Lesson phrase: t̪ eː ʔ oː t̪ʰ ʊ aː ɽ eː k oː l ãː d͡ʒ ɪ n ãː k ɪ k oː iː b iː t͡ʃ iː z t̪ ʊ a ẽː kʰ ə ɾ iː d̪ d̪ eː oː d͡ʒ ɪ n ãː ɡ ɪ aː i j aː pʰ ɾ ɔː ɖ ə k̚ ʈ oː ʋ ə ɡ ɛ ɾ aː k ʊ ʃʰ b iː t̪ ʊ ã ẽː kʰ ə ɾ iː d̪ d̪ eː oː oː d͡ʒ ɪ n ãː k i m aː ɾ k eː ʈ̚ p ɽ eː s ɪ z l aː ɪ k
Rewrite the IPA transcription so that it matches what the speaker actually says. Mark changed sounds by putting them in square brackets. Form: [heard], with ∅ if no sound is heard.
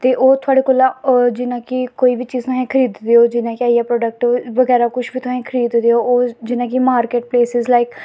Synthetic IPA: t̪ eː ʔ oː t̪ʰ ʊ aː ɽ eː k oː l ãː d͡ʒ ɪ n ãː k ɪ k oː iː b iː t͡ʃ iː z t̪ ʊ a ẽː kʰ ə ɾ iː d̪ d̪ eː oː d͡ʒ ɪ n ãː [k] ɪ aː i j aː [p] ɾ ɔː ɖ ə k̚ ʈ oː ʋ ə ɡ [ɛː] ɾ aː k ʊ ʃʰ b iː t̪ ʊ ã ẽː kʰ ə ɾ iː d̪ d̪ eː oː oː d͡ʒ ɪ n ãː k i m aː ɾ k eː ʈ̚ p [l] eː s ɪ z l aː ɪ k